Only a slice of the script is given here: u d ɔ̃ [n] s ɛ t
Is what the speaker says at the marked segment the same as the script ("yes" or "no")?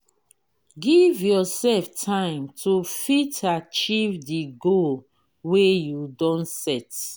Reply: yes